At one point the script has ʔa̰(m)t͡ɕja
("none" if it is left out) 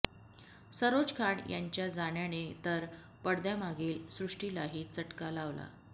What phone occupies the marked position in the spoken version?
ɲ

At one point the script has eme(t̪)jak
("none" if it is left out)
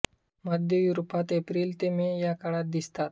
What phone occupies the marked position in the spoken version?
none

